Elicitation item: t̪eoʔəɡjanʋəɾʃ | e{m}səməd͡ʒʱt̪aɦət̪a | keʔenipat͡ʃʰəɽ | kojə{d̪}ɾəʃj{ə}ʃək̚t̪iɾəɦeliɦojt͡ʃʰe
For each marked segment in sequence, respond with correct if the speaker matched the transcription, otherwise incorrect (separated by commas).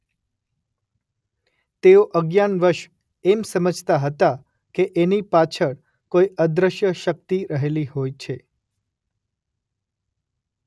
correct, correct, correct